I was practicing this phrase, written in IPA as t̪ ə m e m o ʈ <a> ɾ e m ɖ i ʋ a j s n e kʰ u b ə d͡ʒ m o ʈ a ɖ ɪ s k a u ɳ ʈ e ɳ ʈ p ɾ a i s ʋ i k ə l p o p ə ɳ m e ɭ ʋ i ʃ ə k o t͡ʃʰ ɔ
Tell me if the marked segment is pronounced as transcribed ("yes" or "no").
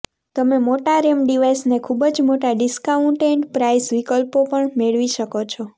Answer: yes